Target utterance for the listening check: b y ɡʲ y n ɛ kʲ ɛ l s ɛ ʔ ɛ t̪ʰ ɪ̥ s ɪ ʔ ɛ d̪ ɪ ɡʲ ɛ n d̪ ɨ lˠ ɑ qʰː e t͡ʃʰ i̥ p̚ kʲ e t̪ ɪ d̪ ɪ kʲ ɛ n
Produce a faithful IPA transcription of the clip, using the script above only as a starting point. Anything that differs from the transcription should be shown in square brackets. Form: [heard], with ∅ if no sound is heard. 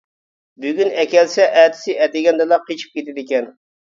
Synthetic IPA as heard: b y ɡʲ y n ɛ kʲ ɛ l s ɛ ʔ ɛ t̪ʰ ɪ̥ s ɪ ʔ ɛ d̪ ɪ ɡʲ ɛ n d̪ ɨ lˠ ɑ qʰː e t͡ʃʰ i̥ p̚ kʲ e t̪ ɪ d̪ ɪ kʲ ɛ n